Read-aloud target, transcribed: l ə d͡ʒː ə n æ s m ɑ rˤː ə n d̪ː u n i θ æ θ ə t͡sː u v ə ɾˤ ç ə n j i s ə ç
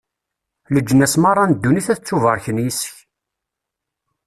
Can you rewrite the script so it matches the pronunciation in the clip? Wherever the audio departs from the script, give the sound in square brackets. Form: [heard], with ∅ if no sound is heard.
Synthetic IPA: l ə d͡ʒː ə n æ s m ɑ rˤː [ɑ] n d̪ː u n i θ æ θ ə t͡sː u v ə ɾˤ ç ə n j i s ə ç